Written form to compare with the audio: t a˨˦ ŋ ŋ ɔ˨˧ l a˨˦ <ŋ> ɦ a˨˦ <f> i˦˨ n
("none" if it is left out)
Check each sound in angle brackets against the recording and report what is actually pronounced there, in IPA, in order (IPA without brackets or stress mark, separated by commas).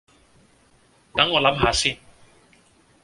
m, s